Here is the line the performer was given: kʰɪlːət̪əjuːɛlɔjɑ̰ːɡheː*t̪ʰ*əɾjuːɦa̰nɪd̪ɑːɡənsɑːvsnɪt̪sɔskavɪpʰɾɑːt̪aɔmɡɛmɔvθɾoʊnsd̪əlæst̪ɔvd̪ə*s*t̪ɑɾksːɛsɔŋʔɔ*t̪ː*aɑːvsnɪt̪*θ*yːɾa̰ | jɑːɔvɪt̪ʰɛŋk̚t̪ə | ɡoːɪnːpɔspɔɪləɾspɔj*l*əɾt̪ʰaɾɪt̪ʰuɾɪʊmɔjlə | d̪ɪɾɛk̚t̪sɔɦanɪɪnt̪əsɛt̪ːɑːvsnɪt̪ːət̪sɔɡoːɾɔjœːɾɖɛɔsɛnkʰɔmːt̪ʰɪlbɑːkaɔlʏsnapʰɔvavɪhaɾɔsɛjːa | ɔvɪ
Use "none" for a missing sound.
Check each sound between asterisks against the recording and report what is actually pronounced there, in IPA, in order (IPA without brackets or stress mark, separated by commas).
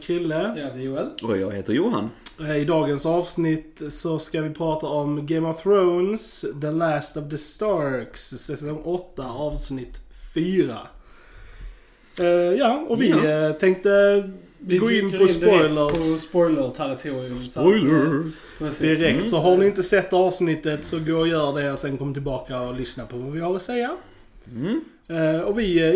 t̪, s, t̪ː, f, l